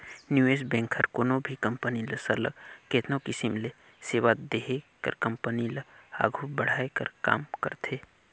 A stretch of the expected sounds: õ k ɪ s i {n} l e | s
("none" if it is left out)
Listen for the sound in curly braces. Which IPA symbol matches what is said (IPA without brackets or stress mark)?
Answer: m